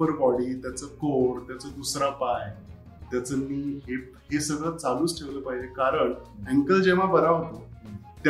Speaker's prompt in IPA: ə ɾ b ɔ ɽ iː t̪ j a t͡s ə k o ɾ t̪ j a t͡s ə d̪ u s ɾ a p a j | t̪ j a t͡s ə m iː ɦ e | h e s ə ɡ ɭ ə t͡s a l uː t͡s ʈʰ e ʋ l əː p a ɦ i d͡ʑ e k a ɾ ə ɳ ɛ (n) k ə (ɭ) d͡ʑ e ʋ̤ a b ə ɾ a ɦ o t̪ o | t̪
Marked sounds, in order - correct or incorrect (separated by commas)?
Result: incorrect, incorrect